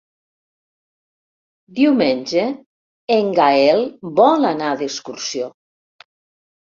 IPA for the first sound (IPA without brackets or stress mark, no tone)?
d̪